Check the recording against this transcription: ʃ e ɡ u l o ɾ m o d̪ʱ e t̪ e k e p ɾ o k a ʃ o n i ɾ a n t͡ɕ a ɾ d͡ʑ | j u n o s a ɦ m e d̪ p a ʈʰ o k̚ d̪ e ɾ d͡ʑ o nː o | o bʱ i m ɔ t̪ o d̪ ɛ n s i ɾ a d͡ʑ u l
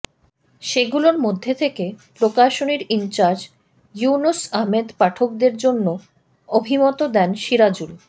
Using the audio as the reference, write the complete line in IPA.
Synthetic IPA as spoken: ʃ e ɡ u l o ɾ m o d̪ʱː e t̪ʰ e k e p ɾ o k a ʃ o n i ɾ i n t͡ɕ a ɾ d͡ʑ | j u n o s a ɦ m e d̪ p a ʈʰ o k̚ d̪ e ɾ d͡ʑ o nː o | o bʱ i m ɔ t̪ o d̪ ɛ n ʃ i ɾ a d͡ʑ u l